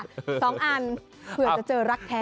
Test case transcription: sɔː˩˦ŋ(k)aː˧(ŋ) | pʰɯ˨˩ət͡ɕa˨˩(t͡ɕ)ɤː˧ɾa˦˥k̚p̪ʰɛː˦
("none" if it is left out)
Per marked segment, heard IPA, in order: ʔ, n, t͡ɕ

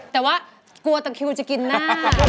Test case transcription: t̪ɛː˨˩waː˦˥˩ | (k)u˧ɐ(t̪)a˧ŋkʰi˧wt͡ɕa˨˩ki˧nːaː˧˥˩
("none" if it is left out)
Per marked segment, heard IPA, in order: k, t̪

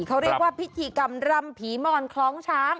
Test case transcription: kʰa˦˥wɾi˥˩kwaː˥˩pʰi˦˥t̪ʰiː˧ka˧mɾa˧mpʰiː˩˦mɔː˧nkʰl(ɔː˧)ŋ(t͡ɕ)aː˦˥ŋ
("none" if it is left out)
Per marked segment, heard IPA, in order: ɔː˦˥, t͡ɕʰ

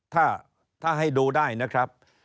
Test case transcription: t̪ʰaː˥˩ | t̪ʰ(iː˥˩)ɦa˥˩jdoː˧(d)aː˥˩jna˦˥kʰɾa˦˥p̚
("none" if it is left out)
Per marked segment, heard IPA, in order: aː˥˩, d

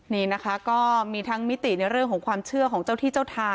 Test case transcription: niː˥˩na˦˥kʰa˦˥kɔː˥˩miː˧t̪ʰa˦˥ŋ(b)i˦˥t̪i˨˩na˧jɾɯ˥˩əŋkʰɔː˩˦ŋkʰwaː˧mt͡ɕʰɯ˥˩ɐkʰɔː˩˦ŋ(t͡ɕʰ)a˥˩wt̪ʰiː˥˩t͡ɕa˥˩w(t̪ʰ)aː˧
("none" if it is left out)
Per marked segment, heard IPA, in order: m, t͡ɕ, t̪ʰ

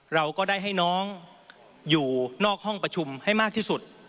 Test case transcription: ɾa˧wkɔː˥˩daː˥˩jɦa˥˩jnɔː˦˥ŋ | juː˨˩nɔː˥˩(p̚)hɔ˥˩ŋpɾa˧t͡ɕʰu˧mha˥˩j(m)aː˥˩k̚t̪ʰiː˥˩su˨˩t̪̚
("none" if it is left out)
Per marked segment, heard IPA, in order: k̚, m

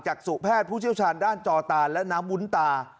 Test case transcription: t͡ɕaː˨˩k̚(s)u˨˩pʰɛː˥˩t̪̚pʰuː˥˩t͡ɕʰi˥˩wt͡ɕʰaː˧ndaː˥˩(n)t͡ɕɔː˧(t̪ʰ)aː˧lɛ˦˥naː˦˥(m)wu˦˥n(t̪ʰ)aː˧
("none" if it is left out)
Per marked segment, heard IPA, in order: s, n, t̪, m, t̪

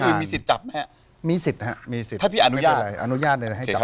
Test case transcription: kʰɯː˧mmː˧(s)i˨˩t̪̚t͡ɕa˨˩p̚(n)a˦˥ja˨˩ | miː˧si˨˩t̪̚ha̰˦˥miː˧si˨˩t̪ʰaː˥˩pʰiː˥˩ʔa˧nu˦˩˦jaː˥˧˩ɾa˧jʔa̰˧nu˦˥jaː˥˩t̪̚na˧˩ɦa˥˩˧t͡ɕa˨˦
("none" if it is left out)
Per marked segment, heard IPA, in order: s, m

